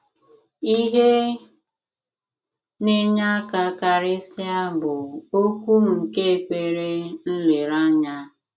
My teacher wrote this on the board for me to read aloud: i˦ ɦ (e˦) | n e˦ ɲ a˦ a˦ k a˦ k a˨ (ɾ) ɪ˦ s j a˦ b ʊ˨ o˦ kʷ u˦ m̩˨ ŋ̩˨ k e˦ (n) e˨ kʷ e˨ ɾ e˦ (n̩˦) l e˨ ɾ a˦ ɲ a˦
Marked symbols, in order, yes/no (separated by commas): yes, yes, no, yes